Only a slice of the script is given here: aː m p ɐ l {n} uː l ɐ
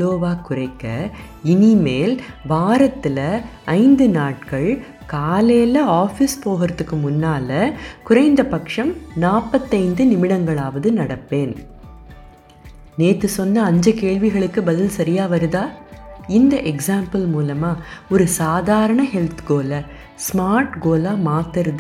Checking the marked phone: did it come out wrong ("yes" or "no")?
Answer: yes